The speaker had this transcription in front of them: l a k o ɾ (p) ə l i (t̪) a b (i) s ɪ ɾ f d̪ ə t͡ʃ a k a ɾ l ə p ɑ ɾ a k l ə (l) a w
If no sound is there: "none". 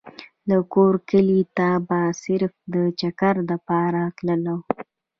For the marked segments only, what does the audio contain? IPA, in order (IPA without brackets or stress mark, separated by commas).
k, t̪, a, l